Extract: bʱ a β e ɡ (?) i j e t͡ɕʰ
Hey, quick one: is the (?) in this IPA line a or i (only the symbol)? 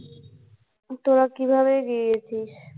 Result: i